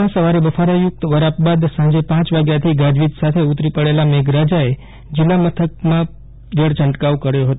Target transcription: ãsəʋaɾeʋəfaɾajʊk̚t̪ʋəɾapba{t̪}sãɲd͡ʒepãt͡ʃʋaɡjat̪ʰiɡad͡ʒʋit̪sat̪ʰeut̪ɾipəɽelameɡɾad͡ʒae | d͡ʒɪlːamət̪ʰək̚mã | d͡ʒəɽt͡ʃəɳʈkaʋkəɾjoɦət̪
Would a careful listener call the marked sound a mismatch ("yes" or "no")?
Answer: yes